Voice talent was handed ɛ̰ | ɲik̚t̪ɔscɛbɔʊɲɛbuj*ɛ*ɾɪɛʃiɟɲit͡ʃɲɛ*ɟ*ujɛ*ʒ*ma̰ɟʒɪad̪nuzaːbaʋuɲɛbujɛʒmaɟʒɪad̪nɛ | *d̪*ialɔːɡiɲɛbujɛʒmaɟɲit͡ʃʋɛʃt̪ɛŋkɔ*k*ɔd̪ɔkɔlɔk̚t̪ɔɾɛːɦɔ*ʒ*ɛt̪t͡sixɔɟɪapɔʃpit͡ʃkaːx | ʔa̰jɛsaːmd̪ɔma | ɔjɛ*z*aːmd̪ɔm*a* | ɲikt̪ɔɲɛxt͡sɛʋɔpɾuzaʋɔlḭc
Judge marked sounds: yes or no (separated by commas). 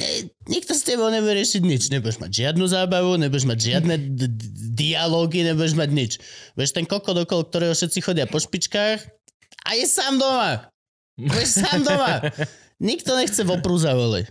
yes, no, yes, yes, yes, no, no, yes